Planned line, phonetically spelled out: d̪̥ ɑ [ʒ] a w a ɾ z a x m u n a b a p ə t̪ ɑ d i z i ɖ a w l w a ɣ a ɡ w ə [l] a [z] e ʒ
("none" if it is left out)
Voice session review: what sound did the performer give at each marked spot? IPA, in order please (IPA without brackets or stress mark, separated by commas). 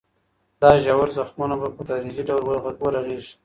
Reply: ʒ, ɾ, ɣ